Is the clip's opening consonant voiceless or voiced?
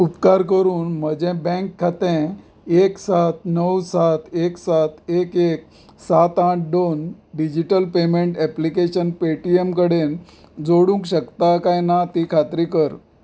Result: voiceless